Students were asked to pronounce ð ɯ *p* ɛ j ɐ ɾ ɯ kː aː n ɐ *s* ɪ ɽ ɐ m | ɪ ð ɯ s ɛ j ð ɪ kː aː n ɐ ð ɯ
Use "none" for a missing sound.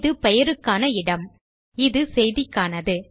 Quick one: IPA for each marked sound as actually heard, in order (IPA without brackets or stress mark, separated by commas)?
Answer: p, none